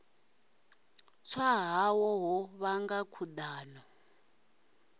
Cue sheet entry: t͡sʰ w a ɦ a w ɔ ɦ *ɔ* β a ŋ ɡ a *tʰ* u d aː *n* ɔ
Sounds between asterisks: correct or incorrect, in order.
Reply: correct, incorrect: kʰ, correct

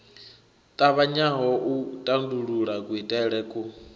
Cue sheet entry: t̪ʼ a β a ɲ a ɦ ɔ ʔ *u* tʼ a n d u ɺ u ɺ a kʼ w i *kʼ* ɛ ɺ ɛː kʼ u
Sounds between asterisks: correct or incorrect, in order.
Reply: correct, incorrect: tʼ

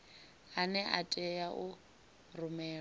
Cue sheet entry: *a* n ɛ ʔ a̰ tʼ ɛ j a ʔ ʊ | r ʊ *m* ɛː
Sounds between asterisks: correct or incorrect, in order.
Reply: correct, correct

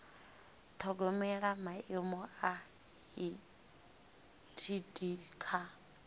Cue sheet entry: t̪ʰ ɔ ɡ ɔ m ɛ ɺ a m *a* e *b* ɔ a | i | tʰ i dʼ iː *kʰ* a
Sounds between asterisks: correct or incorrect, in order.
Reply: correct, incorrect: m, correct

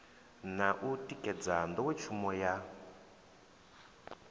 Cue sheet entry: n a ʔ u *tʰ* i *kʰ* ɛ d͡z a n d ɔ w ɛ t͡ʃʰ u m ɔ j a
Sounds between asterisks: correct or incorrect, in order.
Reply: incorrect: t, incorrect: k

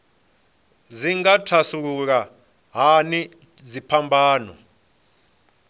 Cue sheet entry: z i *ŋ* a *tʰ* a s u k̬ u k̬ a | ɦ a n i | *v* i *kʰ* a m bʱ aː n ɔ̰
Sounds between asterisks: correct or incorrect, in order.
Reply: correct, correct, incorrect: z, incorrect: pʰ

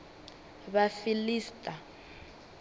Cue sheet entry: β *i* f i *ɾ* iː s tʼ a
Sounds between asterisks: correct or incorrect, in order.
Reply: incorrect: a, incorrect: l

